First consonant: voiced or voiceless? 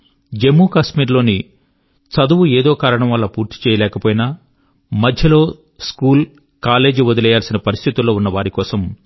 voiced